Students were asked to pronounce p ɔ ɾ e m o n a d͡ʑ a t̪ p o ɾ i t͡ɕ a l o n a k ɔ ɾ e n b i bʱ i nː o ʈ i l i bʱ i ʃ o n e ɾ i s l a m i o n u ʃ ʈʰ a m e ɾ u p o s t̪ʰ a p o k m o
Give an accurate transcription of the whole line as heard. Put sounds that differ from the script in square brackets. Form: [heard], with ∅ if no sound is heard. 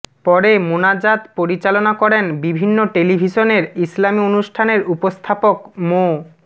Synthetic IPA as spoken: p ɔ ɾ e m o n a d͡ʑ a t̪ p o ɾ i t͡ɕ a l o n a k ɔ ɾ e n b i bʱ i nː o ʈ [e] l i bʱ i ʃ o n e ɾ i s l a m i o n u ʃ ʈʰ a [n] e ɾ u p o s t̪ʰ a p o k m o